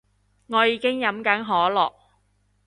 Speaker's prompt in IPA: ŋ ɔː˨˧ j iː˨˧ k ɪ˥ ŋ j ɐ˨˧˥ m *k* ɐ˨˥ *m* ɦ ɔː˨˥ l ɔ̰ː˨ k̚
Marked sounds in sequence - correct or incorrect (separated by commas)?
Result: correct, incorrect